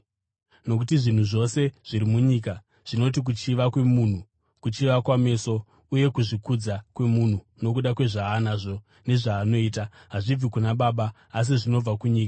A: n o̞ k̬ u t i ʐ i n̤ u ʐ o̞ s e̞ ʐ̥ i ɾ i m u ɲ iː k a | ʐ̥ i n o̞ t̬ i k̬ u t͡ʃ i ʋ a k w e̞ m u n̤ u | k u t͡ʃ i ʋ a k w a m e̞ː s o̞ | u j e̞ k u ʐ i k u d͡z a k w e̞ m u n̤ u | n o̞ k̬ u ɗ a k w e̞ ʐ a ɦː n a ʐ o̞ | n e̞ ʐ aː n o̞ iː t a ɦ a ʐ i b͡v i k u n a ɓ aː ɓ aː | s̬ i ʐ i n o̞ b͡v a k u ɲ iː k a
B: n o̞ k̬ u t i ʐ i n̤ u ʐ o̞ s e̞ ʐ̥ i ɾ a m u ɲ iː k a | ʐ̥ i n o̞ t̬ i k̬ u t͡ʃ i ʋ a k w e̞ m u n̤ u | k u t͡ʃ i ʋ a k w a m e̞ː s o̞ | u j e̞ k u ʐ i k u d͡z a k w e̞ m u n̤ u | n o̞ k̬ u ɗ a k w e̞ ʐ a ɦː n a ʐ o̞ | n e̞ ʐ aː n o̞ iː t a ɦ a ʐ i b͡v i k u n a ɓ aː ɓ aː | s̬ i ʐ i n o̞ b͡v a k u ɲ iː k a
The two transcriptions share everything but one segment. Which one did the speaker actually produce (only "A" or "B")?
A